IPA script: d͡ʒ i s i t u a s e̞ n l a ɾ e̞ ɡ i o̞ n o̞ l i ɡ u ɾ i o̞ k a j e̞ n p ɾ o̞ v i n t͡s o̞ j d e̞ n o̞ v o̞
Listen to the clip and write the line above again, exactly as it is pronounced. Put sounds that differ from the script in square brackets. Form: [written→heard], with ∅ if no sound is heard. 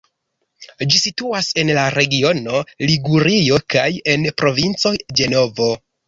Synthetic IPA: d͡ʒ i s i t u a s e̞ n l a ɾ e̞ ɡ i o̞ n o̞ l i ɡ u ɾ i o̞ k a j e̞ n p ɾ o̞ v i n t͡s o̞ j [d→d͡ʒ] e̞ n o̞ v o̞